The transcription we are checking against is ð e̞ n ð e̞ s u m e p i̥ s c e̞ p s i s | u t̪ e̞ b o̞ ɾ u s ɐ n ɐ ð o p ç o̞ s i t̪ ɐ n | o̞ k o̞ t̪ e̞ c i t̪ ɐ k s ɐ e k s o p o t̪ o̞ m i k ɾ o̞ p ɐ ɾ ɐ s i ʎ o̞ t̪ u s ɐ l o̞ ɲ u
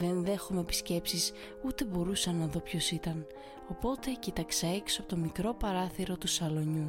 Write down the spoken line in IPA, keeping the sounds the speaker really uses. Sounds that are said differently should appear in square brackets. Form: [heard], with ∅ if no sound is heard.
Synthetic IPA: ð e̞ n ð e̞ [x] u m e p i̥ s c e̞ p s i s | u t̪ e̞ b o̞ ɾ u s ɐ n ɐ ð o p ç o̞ s i t̪ ɐ n | o̞ [p] o̞ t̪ e̞ c i t̪ ɐ k s ɐ e k s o p o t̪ o̞ m i k ɾ o̞ p ɐ ɾ ɐ [θ] i [ɾ] o̞ t̪ u s ɐ l o̞ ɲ u